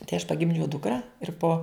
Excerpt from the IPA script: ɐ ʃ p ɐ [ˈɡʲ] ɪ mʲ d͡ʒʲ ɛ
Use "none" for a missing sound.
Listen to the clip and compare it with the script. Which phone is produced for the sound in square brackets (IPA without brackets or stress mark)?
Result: ɡʲ